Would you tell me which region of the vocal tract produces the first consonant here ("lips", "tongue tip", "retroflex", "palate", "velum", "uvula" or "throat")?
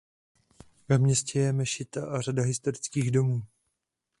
lips